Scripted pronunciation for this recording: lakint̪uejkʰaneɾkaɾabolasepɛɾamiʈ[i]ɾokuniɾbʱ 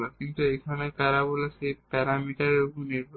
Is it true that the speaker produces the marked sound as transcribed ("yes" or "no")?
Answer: no